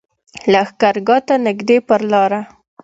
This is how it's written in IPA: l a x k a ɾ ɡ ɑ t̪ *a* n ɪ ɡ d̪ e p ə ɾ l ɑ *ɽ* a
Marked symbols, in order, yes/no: yes, no

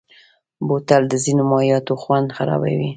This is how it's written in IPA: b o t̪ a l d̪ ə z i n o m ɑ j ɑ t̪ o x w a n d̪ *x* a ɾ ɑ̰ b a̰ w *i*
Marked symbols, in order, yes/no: yes, yes

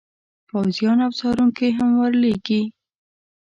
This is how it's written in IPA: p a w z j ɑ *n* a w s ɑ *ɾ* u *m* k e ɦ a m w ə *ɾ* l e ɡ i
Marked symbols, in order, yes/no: yes, yes, no, yes

